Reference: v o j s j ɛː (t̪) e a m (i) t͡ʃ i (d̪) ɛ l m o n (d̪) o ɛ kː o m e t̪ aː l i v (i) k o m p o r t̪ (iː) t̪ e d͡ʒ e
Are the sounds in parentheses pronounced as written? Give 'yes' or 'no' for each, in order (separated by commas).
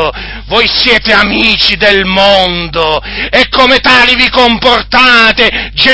yes, no, yes, yes, yes, no